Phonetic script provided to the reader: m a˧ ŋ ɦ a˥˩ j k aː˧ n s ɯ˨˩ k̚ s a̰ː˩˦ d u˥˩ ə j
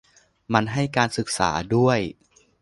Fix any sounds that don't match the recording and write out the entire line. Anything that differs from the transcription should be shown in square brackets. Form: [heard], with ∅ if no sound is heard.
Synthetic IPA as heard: m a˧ [n] ɦ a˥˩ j k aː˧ n s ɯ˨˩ k̚ s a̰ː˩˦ d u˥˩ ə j